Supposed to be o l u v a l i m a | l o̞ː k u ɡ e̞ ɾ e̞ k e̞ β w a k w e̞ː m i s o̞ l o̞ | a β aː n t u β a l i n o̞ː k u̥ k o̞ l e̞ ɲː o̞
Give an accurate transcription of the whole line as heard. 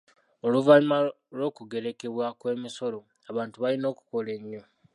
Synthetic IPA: o l u v a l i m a | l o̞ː k u ɡ e̞ ɾ e̞ k e̞ β w a k w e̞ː m i s o̞ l o̞ | a β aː n t u β a l i n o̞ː k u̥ k o̞ l e̞ ɲː o̞